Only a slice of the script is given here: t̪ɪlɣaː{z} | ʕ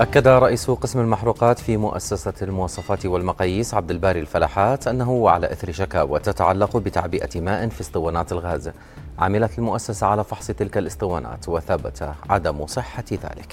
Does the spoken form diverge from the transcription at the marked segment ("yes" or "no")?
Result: no